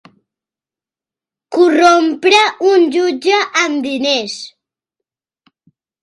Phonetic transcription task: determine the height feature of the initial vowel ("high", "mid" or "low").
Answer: high